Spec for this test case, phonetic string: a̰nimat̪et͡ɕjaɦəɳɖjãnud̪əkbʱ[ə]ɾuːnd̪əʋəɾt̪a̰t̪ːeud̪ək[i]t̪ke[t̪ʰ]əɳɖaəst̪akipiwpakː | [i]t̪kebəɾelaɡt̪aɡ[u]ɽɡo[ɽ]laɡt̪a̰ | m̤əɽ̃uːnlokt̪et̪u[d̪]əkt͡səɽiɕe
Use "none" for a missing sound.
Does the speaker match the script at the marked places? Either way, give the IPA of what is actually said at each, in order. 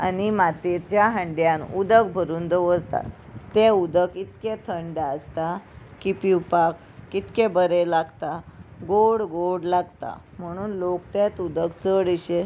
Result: ə, i, t̪ʰ, i, o, ɽ, d̪

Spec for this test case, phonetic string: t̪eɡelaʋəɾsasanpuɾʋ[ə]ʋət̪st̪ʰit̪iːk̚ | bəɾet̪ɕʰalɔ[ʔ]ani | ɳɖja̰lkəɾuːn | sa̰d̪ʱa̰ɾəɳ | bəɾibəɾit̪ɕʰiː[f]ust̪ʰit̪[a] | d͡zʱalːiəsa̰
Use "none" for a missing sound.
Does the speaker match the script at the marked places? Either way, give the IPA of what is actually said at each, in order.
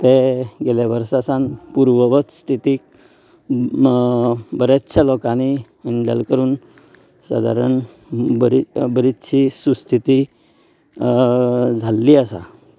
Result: ə, k, s, i

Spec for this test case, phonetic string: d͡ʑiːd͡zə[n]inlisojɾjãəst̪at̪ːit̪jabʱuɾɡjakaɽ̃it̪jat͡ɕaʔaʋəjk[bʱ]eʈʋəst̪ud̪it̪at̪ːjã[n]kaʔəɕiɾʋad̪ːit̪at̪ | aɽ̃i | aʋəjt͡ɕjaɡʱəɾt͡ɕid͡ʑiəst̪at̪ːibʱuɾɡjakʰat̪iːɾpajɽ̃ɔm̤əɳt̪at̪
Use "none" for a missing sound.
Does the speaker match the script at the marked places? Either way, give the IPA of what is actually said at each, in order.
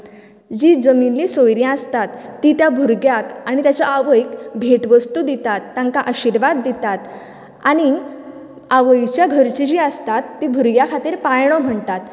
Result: m, bʱ, ŋ

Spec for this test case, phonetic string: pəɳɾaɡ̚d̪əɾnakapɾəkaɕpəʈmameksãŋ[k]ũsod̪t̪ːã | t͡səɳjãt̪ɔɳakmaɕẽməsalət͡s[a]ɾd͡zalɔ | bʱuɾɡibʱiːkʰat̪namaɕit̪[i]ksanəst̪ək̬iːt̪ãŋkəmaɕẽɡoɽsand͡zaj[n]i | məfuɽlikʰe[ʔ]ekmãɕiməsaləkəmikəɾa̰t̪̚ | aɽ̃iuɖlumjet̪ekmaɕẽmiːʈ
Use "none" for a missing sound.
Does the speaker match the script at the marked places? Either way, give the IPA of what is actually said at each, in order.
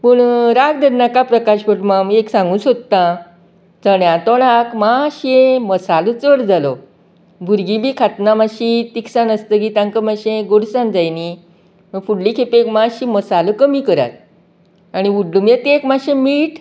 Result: ɡ, ə, i, n, p

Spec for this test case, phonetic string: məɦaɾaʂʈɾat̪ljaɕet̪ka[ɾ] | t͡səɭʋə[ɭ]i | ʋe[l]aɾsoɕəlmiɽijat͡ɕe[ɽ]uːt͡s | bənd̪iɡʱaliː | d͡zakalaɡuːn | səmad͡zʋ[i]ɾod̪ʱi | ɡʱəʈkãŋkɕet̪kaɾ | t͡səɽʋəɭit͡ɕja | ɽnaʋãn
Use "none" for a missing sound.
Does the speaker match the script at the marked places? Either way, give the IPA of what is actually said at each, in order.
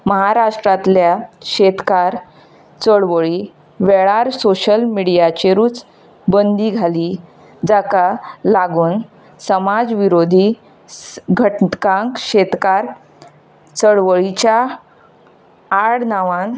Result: ɾ, ɭ, ɭ, ɾ, i

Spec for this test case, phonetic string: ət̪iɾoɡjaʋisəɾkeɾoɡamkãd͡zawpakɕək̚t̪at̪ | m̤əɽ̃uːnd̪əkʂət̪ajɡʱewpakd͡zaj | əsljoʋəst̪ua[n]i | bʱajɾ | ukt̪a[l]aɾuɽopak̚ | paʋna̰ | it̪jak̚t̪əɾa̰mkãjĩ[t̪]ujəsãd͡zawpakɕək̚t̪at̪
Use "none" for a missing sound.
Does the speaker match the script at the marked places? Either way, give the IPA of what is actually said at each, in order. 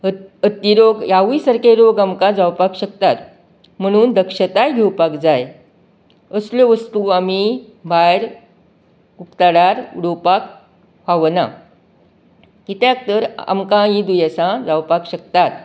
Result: m, ɽ, d̪

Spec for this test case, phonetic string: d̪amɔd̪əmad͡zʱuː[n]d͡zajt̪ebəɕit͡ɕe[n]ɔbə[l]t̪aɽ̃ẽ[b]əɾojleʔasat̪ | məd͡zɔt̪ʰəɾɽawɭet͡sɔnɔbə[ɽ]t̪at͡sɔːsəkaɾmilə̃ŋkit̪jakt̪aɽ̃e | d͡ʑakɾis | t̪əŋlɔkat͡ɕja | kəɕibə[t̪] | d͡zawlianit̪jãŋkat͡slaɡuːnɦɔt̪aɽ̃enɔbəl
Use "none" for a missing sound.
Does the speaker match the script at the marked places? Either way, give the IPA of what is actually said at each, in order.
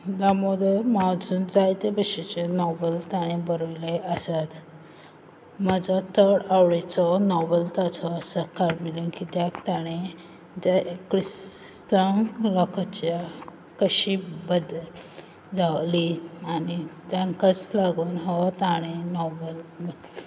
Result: n, n, l, b, l, d̪

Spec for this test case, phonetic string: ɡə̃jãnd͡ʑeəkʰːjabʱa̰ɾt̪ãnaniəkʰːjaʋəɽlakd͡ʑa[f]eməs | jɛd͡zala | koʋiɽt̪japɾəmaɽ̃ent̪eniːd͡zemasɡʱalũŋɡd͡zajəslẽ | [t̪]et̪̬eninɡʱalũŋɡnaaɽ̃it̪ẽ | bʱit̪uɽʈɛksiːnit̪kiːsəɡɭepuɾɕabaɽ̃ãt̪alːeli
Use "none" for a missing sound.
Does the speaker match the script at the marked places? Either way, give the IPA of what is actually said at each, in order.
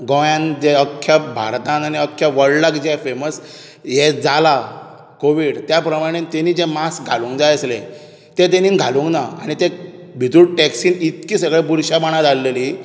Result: f, t̪

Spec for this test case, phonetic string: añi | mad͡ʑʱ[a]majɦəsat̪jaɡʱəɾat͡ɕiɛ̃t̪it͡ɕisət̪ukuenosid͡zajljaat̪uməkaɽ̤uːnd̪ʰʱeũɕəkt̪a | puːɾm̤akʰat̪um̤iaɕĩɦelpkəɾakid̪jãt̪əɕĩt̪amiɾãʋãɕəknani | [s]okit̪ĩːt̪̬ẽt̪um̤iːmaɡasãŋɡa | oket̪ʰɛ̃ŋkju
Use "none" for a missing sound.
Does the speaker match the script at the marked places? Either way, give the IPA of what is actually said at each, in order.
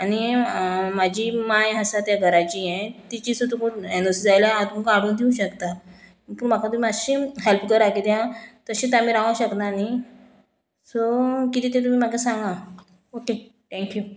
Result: i, s

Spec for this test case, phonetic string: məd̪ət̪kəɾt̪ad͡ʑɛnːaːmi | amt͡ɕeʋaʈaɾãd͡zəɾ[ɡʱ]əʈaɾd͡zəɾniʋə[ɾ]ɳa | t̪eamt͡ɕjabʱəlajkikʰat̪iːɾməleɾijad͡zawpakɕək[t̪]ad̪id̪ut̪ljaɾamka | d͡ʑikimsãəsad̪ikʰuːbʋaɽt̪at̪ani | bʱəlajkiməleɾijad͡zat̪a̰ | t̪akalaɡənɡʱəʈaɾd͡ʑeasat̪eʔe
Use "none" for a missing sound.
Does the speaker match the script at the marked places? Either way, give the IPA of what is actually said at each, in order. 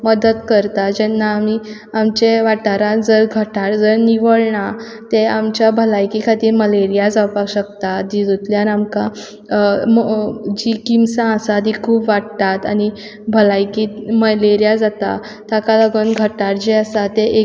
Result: ɡʱ, ɭ, t̪

